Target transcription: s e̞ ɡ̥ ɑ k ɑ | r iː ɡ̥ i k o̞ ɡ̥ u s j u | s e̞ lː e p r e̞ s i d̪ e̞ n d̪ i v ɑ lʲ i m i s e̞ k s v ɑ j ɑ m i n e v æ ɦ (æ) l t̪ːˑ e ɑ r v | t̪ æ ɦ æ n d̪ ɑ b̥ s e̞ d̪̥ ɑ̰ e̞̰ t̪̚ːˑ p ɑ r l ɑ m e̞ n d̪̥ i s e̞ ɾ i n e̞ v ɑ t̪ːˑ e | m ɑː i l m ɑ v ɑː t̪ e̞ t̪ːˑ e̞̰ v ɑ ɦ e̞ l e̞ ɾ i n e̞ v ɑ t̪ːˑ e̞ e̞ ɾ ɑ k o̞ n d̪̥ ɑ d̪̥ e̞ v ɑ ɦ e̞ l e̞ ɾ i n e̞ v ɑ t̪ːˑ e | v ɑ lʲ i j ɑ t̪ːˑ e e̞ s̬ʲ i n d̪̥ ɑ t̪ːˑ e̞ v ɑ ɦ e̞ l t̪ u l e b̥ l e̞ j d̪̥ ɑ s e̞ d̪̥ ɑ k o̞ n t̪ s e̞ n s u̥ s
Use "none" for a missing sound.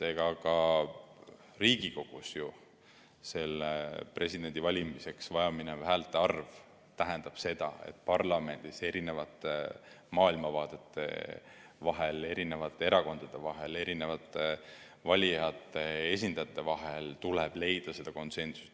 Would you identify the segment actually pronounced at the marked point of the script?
æ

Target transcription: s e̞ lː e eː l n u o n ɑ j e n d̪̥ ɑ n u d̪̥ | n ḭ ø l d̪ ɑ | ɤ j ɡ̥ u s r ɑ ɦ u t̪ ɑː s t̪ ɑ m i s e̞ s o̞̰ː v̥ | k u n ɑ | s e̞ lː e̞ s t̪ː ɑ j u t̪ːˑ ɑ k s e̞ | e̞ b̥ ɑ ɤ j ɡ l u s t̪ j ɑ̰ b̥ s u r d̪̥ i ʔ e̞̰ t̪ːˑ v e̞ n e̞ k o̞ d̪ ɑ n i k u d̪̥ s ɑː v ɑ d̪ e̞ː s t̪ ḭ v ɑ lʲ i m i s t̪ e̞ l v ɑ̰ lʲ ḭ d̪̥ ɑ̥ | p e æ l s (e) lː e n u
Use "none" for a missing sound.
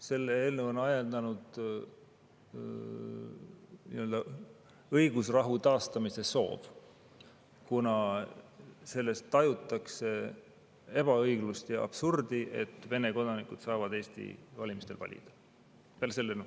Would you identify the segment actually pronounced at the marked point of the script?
e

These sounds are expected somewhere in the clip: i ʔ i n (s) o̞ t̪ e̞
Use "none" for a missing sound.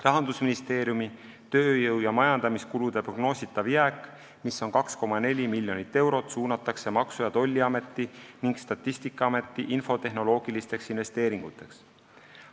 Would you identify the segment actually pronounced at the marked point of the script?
f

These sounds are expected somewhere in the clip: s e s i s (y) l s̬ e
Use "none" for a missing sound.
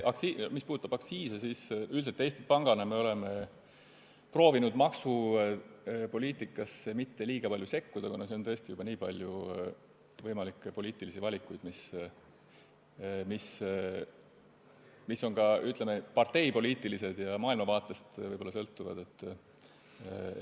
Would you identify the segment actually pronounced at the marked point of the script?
y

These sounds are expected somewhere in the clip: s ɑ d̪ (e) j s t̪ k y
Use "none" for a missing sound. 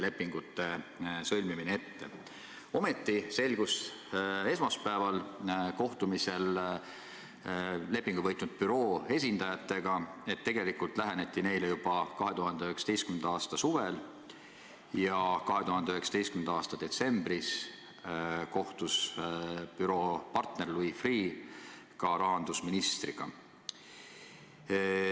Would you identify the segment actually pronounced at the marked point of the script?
e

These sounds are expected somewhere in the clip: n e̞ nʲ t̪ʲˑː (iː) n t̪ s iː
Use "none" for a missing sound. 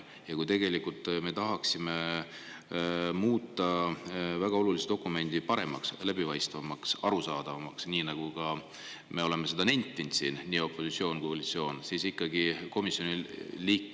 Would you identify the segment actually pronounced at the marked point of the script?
i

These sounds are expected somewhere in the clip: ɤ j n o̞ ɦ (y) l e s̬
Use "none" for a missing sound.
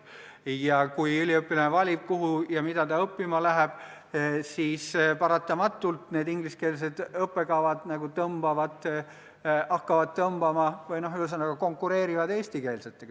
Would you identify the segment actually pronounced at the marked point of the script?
y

